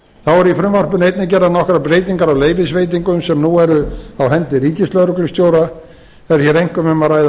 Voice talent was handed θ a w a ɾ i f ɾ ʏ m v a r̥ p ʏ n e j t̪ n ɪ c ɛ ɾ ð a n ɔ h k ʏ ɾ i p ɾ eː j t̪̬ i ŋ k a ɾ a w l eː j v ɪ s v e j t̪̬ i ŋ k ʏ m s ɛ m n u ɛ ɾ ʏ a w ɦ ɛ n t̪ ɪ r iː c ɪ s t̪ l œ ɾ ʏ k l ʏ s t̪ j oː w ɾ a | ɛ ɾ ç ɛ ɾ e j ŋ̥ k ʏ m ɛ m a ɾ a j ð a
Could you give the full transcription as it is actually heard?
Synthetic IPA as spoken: θ a w ɛ ɾ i f ɾ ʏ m v a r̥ p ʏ n e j t̪ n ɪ c ɛ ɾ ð a n ɔ h k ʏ ɾ a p ɾ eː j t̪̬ i ŋ k a ɾ a w l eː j v ɪ s v e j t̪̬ i ŋ k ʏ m s ɛ m n u ɛ ɾ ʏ a w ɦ ɛ n t̪ ɪ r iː c ɪ s t̪ l œ ɾ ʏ k l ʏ s t̪ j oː w ɾ a | ɛ ɾ ç ɛ ɾ e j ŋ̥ k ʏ m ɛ m a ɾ a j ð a